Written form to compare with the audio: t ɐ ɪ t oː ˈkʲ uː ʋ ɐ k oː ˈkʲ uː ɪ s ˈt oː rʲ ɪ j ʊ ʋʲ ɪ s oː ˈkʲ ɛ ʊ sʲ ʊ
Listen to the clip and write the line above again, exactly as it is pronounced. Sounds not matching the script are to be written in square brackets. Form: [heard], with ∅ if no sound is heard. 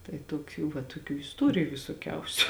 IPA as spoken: t ɐ ɪ t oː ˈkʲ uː ʋ ɐ [t] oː ˈkʲ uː ɪ s ˈt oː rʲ ɪ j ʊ ʋʲ ɪ s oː ˈkʲ ɛ ʊ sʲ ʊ